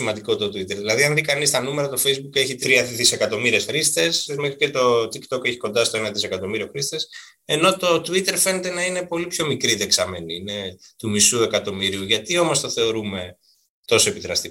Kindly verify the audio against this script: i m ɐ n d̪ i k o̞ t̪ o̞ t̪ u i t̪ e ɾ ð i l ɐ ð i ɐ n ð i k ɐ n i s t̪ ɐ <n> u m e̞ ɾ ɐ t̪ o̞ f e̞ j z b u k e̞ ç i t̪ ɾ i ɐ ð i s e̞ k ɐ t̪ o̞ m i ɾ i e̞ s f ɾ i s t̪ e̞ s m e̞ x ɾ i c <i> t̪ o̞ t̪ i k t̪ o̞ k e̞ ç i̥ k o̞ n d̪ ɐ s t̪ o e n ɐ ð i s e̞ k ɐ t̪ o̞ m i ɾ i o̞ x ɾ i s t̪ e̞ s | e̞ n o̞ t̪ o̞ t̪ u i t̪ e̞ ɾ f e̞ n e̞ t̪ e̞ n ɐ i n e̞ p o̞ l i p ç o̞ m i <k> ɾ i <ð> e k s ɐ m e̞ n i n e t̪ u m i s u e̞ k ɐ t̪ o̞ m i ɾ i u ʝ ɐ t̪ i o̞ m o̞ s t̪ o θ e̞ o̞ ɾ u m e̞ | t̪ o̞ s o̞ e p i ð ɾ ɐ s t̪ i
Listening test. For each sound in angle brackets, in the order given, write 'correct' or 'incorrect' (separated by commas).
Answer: correct, incorrect, correct, correct